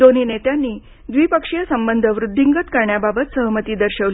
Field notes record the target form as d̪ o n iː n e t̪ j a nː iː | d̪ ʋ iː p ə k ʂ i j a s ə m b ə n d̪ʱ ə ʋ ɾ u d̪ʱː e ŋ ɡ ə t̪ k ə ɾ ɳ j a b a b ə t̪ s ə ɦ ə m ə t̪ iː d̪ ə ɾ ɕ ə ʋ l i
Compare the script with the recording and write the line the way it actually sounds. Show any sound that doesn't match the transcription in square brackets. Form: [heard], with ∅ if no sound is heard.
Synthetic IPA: d̪ o n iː n e t̪ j a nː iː | d̪ ʋ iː p ə k ʂ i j [ə] s ə m b ə n d̪ʱ ə ʋ ɾ u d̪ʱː [i] ŋ ɡ ə t̪ k ə ɾ ɳ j a b a b ə t̪ s ə ɦ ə m ə t̪ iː d̪ ə ɾ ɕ ə ʋ l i